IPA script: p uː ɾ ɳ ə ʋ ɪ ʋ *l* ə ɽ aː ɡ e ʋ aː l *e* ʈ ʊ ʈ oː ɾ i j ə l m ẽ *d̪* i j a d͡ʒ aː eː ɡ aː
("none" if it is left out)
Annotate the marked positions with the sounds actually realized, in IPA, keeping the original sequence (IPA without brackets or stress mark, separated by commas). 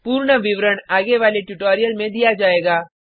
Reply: ɾ, e, d̪